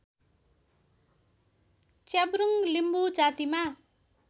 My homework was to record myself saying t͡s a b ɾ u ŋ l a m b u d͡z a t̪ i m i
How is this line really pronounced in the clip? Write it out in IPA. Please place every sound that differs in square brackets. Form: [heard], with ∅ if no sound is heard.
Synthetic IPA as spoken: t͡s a b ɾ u ŋ l [i] m b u d͡z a t̪ i m [a]